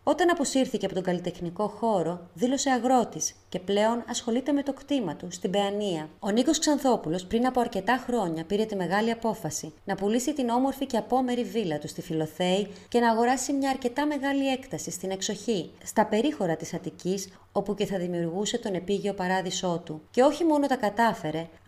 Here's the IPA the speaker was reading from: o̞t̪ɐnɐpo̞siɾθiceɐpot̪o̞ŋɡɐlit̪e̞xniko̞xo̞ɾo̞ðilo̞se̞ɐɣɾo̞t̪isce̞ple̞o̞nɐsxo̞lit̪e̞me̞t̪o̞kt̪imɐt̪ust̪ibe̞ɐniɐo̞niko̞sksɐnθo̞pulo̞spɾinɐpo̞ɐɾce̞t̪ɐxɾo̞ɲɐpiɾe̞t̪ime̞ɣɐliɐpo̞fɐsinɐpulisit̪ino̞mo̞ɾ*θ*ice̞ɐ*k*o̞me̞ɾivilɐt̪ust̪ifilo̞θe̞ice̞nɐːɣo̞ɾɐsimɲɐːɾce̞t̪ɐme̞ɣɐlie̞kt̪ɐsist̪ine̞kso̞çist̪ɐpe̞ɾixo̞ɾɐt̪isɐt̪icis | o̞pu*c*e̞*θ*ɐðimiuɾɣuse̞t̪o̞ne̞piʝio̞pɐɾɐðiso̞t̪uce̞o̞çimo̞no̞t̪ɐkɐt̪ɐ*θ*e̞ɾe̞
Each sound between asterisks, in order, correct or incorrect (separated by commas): incorrect, incorrect, correct, correct, incorrect